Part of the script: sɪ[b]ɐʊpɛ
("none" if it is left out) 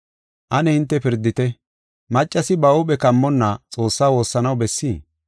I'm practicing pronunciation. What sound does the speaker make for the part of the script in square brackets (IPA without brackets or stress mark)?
b